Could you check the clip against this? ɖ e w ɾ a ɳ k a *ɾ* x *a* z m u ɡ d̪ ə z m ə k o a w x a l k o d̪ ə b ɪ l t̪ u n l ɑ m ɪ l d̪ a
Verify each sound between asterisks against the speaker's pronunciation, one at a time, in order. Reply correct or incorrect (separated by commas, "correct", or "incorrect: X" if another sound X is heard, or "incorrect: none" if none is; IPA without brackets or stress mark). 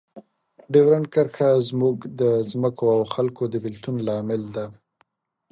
correct, correct